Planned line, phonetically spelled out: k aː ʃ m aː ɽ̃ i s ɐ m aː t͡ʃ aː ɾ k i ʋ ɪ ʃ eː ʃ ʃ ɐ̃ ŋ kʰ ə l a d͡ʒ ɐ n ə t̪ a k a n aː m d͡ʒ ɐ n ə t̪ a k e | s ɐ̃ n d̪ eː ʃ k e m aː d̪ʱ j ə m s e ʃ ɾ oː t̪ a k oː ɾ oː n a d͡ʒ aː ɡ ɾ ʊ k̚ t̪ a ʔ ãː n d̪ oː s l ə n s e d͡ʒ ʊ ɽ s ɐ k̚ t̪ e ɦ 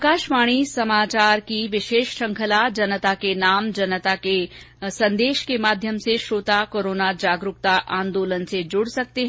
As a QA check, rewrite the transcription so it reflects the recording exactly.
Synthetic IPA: k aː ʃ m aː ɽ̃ i s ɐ m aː t͡ʃ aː ɾ k i ʋ ɪ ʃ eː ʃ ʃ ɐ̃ ŋ kʰ ə l a d͡ʒ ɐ n ə t̪ a k e n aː m d͡ʒ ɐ n ə t̪ a k e | s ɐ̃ n d̪ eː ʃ k e m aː d̪ʱ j ə m s e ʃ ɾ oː t̪ a k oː ɾ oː n a d͡ʒ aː ɡ ɾ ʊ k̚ t̪ a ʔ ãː n d̪ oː l ə n s e d͡ʒ ʊ ɽ s ɐ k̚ t̪ e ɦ